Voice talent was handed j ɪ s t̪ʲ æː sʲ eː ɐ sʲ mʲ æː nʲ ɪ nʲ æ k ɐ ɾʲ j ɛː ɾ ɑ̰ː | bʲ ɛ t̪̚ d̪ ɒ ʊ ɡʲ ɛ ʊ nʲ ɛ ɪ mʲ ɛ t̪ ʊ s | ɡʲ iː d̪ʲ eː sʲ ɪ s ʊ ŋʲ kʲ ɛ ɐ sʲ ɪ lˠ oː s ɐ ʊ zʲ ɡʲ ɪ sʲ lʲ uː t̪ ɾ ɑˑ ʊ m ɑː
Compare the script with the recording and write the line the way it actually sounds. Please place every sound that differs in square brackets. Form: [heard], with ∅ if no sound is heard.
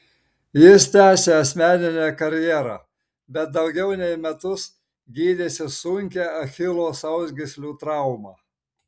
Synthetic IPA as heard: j ɪ s t̪ʲ æː sʲ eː ɐ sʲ mʲ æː nʲ ɪ nʲ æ k ɐ ɾʲ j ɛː ɾ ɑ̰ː | bʲ ɛ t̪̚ d̪ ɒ ʊ ɡʲ ɛ ʊ nʲ ɛ ɪ mʲ ɛ t̪ ʊ s | ɡʲ iː d̪ʲ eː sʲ ɪ s ʊ ŋʲ kʲ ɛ ɐ [xʲ] ɪ lˠ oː s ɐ ʊ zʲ ɡʲ ɪ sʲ lʲ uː t̪ ɾ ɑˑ ʊ m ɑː